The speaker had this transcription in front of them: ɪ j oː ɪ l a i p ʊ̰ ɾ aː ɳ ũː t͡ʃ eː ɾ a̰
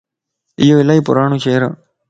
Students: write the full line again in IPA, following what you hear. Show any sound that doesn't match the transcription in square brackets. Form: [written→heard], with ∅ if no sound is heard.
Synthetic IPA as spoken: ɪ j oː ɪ l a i p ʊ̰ ɾ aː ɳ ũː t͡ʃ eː ɾ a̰